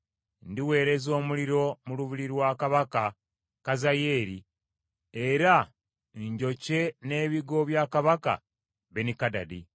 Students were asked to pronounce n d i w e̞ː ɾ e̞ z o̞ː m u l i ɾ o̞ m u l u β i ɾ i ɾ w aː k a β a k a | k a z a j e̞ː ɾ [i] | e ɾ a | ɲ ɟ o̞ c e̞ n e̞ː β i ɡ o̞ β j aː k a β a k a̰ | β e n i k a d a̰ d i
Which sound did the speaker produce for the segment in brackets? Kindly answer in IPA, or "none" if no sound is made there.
i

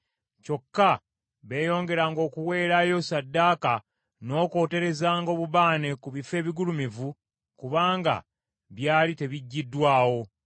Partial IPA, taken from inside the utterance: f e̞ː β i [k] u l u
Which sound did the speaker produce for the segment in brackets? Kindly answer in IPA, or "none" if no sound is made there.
ɡ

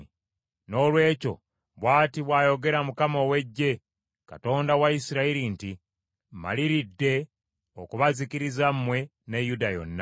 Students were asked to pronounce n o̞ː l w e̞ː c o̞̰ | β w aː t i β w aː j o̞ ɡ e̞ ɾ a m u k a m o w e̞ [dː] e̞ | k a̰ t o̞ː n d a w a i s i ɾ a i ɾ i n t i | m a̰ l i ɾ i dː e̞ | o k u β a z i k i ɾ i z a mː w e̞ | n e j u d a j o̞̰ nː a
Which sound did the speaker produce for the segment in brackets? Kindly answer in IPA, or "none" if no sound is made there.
ɟː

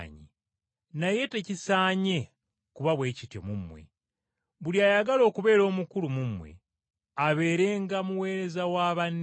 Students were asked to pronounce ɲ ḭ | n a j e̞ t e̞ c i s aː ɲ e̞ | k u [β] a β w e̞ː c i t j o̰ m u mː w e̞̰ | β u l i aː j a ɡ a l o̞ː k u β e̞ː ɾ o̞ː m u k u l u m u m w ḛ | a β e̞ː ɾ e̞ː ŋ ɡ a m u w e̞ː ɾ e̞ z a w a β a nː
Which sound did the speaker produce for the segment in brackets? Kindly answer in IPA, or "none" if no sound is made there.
β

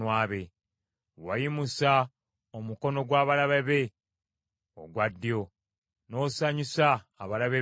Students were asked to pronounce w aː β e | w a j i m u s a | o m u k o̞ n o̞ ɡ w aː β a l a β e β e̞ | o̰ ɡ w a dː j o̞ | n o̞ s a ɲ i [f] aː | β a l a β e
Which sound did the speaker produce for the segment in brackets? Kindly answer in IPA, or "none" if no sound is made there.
s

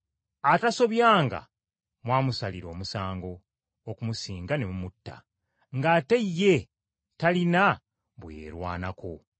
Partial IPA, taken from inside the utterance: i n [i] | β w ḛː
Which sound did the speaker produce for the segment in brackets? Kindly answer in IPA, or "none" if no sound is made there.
a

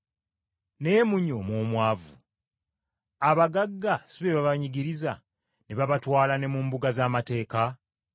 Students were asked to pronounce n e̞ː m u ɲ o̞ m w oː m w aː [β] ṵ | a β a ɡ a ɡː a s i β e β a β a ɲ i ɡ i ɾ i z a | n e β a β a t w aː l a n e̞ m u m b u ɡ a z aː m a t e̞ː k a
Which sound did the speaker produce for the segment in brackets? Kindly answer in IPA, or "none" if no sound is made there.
v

